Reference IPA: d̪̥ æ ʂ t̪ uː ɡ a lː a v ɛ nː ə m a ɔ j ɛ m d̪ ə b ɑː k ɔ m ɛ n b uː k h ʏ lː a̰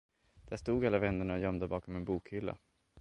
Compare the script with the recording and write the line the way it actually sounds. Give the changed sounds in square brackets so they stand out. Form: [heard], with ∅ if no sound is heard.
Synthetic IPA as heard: d̪̥ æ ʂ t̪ uː ɡ a lː a v ɛ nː ə [ɳ] a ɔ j [œ] m d̪ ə b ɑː k ɔ m ɛ n b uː k h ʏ lː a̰